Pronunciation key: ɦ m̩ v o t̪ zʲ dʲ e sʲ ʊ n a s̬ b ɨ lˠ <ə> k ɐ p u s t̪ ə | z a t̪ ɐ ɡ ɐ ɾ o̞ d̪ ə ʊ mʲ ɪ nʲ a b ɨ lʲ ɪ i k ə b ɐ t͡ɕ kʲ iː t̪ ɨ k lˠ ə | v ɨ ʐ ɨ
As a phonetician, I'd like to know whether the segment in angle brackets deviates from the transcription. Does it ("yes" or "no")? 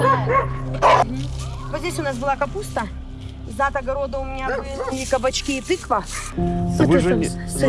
yes